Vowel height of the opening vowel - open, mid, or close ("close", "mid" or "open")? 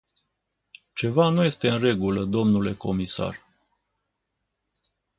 mid